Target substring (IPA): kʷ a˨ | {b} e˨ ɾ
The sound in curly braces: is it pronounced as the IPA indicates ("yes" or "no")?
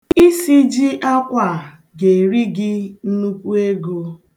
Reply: no